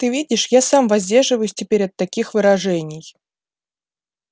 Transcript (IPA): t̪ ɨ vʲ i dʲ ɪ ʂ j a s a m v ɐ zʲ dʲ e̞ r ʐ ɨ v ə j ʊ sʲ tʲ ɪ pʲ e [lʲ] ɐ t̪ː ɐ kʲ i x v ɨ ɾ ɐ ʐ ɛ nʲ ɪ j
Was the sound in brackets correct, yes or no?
no